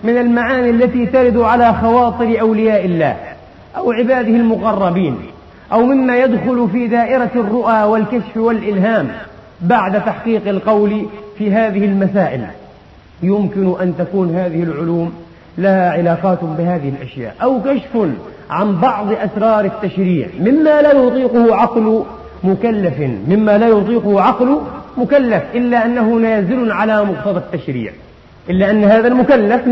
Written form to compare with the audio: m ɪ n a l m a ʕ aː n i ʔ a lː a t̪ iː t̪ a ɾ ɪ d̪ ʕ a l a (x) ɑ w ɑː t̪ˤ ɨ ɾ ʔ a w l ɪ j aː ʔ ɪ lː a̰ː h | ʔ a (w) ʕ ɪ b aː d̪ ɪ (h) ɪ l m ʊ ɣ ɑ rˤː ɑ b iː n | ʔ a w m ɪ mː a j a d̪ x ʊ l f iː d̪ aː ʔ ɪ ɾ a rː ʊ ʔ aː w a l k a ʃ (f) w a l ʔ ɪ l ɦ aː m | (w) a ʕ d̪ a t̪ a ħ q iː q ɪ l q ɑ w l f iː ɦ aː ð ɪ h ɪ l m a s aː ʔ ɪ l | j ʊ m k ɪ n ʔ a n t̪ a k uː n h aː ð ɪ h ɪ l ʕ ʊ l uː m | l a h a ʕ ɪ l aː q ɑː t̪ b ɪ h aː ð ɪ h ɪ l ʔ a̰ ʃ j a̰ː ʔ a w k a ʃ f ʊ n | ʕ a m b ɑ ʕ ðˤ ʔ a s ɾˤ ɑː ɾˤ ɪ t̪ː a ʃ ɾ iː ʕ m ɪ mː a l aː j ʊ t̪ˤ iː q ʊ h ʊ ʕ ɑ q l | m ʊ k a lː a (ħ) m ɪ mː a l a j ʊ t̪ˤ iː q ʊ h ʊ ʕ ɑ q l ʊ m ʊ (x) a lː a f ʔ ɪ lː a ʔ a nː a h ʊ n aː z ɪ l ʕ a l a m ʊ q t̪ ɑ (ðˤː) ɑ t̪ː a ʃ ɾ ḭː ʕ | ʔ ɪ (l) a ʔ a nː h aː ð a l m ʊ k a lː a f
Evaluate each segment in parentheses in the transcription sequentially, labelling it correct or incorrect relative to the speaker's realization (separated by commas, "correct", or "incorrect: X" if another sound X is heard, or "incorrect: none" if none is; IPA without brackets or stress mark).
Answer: correct, correct, correct, correct, incorrect: b, incorrect: f, incorrect: k, incorrect: ðˤ, incorrect: lː